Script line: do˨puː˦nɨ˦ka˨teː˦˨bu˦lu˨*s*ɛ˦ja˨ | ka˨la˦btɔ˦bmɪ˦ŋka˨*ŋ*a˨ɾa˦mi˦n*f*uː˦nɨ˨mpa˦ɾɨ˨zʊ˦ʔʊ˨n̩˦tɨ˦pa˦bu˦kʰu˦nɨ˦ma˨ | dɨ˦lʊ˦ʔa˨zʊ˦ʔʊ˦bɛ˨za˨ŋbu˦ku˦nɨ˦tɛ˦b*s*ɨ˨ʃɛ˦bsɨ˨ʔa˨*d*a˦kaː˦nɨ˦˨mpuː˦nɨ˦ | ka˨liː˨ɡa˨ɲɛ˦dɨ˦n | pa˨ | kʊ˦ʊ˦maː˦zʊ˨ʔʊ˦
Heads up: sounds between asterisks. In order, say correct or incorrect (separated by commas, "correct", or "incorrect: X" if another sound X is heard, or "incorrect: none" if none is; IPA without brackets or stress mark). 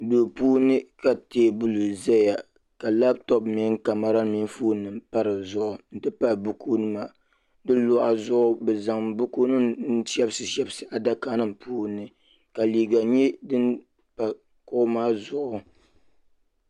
incorrect: z, incorrect: m, correct, correct, correct